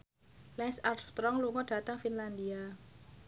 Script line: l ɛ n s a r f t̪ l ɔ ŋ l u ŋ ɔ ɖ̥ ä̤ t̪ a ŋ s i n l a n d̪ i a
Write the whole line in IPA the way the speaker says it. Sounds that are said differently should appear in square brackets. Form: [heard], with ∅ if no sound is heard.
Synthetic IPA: l ɛ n s a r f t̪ [ɾ] ɔ ŋ l u ŋ ɔ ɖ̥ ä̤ t̪ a ŋ [f] i n l a n d̪ i a